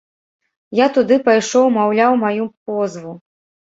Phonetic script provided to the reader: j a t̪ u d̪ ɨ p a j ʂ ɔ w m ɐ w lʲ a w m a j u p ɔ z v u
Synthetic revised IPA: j a t̪ u d̪ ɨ p a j ʂ ɔ w m a w lʲ a w m a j u p ɔ z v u